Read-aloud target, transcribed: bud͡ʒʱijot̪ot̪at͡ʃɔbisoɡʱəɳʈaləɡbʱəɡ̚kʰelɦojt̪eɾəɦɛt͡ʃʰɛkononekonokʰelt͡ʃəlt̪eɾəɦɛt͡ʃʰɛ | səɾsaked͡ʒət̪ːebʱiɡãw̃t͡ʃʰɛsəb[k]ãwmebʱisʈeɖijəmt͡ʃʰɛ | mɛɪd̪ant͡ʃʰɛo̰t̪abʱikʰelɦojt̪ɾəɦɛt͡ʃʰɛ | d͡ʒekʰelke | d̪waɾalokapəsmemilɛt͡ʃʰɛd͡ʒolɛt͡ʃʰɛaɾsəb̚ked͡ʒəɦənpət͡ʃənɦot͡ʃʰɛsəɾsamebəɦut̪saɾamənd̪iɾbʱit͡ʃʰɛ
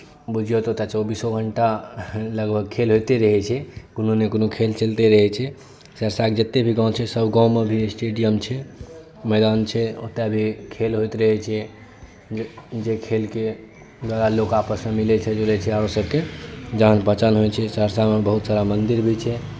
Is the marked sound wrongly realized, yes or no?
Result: yes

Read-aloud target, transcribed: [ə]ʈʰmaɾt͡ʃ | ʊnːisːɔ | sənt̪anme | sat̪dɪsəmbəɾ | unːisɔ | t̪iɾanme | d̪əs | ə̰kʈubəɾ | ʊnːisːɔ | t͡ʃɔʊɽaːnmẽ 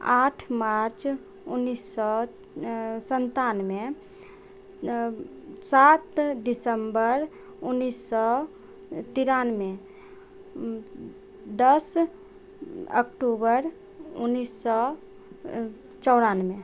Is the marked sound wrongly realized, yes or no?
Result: yes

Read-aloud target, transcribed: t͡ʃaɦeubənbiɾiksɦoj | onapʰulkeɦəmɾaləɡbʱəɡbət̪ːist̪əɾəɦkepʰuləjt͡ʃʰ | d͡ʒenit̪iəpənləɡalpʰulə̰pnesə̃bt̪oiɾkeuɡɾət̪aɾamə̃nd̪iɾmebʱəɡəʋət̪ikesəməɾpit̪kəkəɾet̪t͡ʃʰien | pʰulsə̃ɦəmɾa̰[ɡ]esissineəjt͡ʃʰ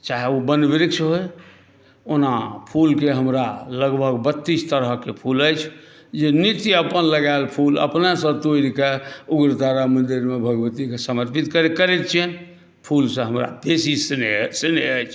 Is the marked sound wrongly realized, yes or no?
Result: yes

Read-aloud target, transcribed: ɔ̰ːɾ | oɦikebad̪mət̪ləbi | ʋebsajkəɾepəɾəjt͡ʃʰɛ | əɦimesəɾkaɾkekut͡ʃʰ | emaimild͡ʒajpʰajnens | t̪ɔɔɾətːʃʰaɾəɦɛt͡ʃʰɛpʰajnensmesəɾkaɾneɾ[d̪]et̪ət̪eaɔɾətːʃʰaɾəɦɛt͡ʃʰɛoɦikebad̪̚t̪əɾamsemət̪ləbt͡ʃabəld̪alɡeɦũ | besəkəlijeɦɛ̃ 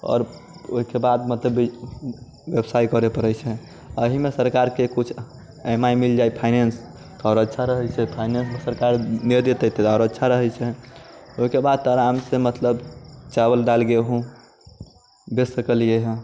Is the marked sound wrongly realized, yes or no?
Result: no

